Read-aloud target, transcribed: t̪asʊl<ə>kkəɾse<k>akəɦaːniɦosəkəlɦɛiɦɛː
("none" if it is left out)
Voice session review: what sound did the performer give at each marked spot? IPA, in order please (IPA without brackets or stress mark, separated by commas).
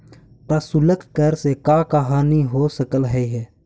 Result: ə, k